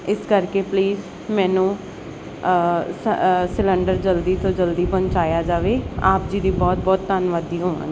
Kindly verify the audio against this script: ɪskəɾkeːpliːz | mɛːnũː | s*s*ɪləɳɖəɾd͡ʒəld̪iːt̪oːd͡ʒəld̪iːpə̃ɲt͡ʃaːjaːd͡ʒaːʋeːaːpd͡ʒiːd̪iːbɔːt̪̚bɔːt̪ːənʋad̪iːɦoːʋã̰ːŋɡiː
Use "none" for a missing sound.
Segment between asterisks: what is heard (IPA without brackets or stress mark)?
s